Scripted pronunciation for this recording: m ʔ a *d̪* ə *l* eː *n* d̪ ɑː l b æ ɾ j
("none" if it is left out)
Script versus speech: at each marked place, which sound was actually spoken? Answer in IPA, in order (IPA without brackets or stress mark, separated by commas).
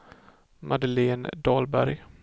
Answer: d̪, l, n